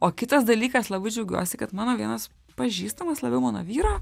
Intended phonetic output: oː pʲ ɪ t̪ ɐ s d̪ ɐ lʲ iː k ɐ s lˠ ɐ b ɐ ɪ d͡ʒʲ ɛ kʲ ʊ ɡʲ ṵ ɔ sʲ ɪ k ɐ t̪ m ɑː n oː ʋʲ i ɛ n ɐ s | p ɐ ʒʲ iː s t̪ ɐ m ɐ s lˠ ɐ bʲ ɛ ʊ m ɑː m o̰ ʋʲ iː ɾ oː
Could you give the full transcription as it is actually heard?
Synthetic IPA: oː kʲ ɪ t̪ ɐ s d̪ ɐ lʲ iː k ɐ s lˠ ɐ b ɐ ɪ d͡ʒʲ ɛ ʊ ɡʲ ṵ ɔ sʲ ɪ k ɐ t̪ m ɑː n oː ʋʲ i ɛ n ɐ s | p ɐ ʒʲ iː s t̪ ɐ m ɐ s lˠ ɐ bʲ ɛ ʊ m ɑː n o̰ ʋʲ iː ɾ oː